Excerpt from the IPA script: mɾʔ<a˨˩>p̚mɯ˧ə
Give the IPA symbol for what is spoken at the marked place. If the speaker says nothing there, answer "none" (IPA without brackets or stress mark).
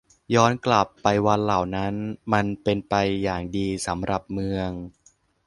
a˨˩